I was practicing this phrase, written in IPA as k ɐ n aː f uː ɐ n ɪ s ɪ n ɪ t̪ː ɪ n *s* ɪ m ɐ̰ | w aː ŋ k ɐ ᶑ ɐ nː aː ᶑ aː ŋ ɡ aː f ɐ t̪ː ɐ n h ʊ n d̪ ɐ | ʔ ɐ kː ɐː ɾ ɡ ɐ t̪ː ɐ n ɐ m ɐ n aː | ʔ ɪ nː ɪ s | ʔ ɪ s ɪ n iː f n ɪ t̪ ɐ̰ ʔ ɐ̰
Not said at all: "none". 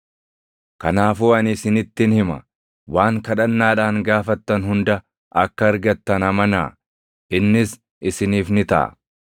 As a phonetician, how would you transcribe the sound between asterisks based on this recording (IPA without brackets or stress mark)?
h